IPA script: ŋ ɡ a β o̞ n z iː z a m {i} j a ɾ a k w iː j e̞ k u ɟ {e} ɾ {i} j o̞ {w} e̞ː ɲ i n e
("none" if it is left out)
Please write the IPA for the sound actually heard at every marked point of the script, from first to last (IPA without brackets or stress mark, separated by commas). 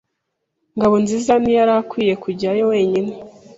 i, i, a, w